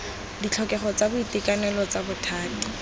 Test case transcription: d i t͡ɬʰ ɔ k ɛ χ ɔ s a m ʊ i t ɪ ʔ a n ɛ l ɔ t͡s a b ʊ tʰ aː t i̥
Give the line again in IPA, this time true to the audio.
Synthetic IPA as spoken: d i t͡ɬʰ ɔ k ɛ χ ɔ t͡s a b ʊ i t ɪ k a n ɛ l ɔ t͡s a b ʊ tʰ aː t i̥